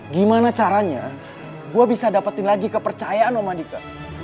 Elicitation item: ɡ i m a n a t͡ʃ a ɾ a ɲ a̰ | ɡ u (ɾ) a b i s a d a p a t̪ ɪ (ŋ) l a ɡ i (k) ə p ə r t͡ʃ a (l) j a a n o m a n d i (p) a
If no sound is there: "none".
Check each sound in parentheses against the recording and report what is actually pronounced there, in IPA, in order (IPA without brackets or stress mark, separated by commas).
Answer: none, n, k, none, k